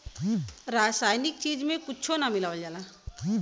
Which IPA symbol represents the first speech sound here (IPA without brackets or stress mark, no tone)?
ɾ